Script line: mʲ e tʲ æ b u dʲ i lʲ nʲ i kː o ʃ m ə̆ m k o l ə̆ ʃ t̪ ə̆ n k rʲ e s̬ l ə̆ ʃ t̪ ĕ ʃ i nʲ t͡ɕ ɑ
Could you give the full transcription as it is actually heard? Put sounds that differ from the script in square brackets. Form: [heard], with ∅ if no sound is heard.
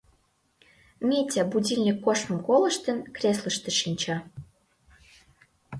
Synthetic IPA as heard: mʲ e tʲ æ b u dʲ i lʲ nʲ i kː o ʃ m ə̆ m k o l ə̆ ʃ t̪ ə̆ n k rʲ e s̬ l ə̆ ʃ t̪ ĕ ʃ i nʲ t͡ɕ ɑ